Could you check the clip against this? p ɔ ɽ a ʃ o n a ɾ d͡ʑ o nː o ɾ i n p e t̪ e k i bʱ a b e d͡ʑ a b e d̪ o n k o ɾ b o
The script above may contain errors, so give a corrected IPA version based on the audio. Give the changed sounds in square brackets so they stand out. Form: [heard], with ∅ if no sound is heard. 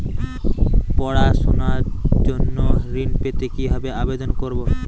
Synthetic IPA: p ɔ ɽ a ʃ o n a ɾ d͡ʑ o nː o ɾ i n p e t̪ e k i bʱ a b e [∅] a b e d̪ o n k o ɾ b o